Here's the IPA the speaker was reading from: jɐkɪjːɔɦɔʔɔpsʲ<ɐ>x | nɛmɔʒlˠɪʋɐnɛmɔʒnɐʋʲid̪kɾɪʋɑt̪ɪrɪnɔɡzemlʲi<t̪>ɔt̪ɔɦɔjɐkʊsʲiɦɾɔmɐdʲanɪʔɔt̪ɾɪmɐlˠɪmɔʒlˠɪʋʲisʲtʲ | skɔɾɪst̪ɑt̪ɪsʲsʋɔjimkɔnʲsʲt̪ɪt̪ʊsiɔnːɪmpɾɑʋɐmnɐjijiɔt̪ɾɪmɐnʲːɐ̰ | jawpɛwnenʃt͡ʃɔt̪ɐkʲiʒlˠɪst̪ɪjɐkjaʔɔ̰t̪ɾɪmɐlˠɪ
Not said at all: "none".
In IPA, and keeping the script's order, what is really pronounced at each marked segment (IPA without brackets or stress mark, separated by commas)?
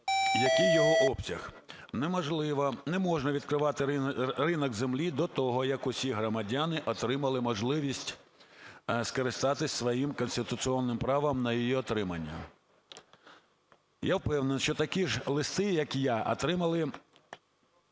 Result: ɐ, d̪